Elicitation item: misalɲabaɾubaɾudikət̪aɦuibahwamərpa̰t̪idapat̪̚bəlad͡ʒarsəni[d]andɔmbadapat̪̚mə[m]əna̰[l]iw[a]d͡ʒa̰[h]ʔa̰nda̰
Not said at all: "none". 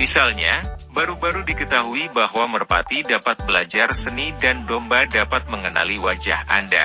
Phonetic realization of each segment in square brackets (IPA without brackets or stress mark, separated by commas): d, ŋ, l, a, h